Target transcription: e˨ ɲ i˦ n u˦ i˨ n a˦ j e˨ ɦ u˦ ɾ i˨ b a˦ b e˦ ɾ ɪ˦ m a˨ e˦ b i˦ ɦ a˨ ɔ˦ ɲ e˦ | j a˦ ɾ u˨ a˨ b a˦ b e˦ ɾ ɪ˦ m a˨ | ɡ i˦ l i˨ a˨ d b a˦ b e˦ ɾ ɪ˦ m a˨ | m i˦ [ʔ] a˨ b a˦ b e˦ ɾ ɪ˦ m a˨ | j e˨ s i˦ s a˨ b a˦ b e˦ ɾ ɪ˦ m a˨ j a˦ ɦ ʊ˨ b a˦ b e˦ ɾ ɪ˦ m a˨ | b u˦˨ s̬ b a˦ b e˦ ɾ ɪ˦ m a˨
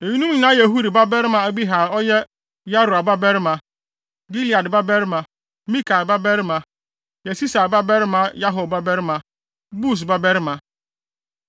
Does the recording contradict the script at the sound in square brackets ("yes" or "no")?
yes